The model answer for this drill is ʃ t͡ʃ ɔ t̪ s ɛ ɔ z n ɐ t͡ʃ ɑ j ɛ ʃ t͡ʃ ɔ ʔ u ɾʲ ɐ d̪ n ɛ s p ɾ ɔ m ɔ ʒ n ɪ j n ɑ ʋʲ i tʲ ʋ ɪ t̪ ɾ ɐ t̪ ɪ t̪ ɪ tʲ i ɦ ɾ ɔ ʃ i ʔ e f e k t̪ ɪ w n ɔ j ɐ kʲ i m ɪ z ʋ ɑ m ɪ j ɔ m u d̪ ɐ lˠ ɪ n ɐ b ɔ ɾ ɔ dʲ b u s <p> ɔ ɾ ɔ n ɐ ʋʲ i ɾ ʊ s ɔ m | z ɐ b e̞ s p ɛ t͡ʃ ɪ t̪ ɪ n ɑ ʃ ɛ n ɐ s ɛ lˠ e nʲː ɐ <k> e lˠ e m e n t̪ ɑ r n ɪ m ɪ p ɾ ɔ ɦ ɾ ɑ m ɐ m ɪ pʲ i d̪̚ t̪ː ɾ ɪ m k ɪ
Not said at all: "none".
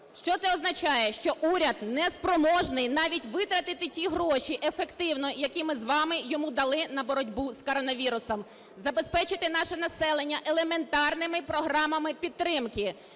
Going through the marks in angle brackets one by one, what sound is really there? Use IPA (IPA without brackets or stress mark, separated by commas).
k, ʔ